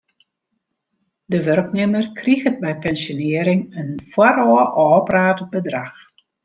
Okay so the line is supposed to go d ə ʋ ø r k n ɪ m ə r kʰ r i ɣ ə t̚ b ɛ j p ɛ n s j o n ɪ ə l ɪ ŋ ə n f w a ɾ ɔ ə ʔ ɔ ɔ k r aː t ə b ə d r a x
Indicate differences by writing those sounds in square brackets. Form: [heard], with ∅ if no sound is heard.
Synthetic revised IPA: d ə ʋ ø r k n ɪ m ə r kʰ r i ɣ ə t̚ b ɛ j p ɛ n s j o n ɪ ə [ɾ] ɪ ŋ ə n f w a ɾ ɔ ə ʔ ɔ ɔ [p] r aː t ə b ə d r a x